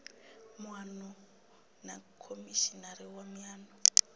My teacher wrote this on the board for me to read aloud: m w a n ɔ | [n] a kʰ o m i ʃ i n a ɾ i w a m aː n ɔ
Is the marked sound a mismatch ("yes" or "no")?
no